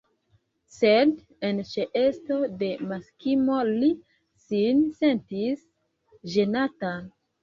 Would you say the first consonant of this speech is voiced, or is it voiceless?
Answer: voiceless